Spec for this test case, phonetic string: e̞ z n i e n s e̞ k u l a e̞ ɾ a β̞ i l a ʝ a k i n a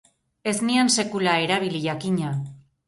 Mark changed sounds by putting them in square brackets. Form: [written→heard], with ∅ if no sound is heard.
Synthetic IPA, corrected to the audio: e̞ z n i [e→a] n s e̞ k u l a e̞ ɾ a β̞ i l [a→i] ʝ a k i [n→ɲ] a